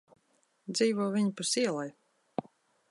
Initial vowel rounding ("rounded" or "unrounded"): unrounded